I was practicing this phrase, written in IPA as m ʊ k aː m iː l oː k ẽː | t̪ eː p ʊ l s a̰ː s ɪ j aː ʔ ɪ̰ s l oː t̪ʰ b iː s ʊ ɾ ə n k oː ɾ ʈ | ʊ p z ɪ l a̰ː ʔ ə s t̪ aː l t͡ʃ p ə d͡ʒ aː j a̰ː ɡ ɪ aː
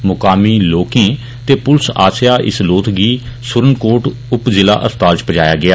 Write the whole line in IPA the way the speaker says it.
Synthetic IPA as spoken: m ʊ k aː m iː l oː k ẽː | t̪ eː p ʊ l s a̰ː s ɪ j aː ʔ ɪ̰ s l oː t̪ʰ ɡ iː s ʊ ɾ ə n k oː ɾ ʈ | ʊ p z ɪ l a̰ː ʔ ə s t̪ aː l t͡ʃ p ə d͡ʒ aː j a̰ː ɡ ɪ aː